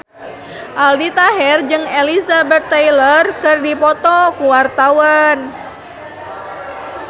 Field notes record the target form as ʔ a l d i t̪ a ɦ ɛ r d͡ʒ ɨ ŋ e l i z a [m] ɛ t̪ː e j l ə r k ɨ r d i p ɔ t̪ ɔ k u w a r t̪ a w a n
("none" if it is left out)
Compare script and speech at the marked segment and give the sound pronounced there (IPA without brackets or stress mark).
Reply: b